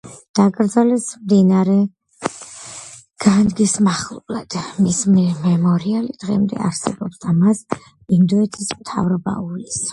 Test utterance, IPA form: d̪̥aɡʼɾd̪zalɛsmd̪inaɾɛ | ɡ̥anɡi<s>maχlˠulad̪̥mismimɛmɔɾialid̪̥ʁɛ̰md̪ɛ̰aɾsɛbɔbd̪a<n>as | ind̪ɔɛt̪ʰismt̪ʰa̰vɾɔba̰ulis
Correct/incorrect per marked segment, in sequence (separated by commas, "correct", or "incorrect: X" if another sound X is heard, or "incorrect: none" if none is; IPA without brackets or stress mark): correct, incorrect: m